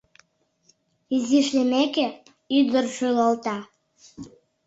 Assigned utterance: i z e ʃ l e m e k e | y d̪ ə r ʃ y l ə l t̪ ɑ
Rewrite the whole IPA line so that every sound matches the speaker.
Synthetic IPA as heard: i z i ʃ l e m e k e | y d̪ ə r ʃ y l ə l t̪ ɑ